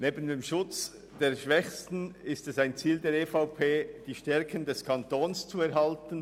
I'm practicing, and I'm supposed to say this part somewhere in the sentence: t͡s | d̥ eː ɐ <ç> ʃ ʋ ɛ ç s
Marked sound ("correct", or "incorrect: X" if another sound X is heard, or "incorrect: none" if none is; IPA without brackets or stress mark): incorrect: none